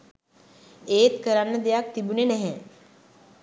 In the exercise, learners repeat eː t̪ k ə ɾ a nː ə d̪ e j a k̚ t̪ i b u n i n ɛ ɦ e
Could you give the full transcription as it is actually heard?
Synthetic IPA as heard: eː t̪ k ə ɾ a nː ə d̪ e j a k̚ t̪ i b u n e n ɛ ɦ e